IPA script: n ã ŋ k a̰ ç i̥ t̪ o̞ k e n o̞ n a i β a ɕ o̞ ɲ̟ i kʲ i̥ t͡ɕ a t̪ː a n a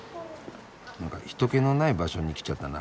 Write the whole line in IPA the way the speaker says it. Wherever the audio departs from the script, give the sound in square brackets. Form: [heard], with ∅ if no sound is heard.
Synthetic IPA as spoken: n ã ŋ k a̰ ç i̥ t̪ o̞ k e n o̞ n a i [b] a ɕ o̞ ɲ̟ i kʲ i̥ t͡ɕ a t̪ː a n a